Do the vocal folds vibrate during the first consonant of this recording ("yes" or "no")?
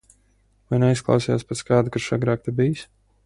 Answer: yes